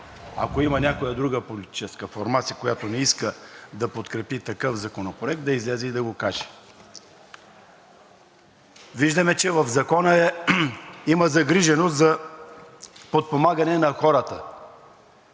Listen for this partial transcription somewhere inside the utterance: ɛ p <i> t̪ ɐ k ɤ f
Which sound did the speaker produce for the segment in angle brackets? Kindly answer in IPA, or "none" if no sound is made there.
i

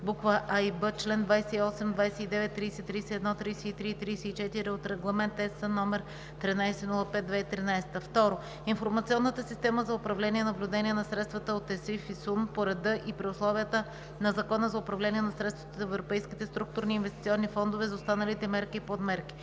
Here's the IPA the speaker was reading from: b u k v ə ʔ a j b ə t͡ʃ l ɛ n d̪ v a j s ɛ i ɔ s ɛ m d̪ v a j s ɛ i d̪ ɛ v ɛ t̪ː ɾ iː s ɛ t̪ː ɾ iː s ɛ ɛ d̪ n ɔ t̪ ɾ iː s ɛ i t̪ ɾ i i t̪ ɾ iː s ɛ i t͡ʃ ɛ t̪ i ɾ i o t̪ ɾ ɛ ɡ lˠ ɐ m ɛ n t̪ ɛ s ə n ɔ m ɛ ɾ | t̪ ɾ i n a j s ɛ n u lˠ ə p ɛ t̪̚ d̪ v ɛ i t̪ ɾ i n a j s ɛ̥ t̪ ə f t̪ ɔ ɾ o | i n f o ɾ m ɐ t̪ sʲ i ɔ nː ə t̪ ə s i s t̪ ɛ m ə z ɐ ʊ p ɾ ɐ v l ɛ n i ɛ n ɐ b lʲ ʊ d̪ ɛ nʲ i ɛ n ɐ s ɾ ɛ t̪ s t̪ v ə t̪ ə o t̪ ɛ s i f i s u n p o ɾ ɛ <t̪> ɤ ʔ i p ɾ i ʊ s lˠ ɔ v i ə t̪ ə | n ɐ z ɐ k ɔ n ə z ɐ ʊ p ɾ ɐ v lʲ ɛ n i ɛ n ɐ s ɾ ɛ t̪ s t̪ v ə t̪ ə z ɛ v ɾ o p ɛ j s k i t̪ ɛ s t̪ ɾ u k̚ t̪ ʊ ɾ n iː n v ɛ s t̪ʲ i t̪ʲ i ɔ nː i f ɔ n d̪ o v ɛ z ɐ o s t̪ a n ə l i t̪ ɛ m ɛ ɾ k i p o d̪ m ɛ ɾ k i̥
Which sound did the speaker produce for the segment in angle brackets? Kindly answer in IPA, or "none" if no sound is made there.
d̪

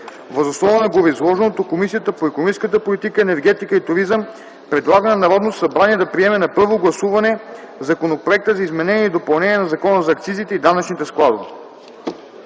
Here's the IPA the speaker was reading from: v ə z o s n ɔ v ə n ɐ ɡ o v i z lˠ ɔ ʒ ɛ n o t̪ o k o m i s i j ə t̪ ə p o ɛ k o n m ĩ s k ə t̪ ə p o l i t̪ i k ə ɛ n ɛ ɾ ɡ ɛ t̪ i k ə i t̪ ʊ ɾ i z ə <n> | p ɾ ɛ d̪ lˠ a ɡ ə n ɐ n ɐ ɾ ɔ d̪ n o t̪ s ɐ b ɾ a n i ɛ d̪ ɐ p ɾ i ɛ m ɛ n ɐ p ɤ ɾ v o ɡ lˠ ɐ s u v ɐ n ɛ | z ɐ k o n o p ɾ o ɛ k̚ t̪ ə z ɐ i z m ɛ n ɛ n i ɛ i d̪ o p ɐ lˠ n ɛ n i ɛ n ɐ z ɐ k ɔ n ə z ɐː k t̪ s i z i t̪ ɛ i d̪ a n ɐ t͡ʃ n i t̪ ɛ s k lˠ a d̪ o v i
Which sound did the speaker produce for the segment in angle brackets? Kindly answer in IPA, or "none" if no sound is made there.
m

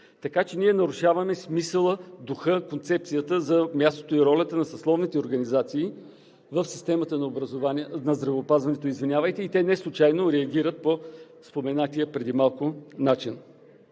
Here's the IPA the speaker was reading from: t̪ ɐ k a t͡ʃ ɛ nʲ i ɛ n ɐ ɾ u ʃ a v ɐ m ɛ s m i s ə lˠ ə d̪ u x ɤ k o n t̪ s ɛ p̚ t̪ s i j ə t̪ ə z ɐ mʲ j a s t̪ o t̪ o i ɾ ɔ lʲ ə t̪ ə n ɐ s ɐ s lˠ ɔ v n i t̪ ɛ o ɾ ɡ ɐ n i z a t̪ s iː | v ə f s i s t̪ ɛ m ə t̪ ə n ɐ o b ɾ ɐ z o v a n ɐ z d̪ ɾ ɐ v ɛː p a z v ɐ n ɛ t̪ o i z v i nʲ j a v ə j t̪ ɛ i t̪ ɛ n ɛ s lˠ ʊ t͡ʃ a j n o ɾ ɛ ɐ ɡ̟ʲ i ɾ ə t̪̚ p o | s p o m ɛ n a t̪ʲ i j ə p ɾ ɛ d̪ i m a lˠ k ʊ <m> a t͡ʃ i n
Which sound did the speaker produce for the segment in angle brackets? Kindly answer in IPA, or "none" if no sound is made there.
n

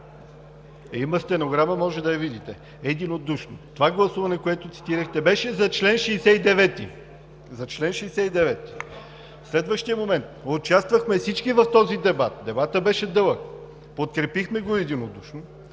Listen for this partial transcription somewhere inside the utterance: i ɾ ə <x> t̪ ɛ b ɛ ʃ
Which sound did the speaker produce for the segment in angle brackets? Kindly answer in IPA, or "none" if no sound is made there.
x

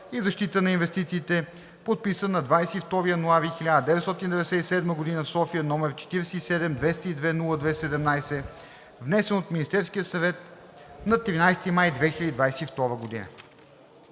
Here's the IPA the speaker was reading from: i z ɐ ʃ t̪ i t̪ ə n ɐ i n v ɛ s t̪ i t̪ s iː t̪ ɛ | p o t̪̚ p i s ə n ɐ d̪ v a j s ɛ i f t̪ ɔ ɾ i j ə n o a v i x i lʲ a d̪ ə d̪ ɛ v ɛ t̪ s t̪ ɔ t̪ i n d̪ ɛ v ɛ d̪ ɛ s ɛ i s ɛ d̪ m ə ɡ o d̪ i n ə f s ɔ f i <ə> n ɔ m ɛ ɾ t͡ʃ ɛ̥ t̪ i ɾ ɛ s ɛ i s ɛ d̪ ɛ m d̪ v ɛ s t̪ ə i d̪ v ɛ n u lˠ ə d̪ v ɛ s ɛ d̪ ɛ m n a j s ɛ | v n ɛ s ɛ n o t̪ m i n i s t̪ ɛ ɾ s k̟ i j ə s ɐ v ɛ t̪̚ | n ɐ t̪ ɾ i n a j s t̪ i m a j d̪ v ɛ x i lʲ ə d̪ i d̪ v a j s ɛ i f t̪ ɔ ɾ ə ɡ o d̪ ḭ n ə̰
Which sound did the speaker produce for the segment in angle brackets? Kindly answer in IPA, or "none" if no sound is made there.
ə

